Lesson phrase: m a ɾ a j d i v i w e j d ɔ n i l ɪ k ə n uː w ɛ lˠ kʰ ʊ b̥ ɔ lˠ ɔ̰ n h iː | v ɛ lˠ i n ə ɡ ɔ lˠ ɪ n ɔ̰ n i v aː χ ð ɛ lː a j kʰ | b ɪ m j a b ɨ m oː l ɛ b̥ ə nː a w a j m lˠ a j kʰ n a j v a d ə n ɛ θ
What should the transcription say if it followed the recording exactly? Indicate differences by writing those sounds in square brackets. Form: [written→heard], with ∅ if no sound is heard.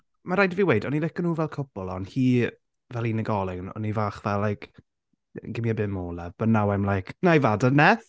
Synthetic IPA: m a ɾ a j d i v i w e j d ɔ n i l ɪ k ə n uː [w→v] ɛ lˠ kʰ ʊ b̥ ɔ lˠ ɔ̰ n h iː | v ɛ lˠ i n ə ɡ ɔ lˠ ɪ n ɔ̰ n i v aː χ [ð→v] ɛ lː a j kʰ | [b→ɡ] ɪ m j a b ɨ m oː l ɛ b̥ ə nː a w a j m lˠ a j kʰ n a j v a d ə n ɛ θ